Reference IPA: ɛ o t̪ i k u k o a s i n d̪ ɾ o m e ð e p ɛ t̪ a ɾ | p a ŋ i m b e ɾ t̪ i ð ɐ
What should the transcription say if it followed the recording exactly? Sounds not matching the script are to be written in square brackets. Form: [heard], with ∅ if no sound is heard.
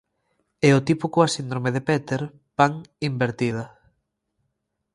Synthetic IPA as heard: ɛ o t̪ i [p] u k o a s i n d̪ ɾ o m e ð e p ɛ t̪ [e] ɾ | p a ŋ i m b e ɾ t̪ i ð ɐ